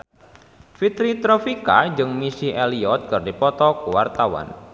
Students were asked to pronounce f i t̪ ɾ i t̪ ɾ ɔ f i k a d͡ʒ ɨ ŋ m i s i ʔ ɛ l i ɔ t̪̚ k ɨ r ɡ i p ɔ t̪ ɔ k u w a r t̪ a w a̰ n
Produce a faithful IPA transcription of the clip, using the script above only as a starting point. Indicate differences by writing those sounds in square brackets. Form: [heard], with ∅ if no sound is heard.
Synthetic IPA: f i t̪ ɾ i t̪ ɾ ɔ f i k a d͡ʒ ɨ ŋ m i s i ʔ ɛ l i ɔ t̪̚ k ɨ r [d] i p ɔ t̪ ɔ k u w a r t̪ a w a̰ n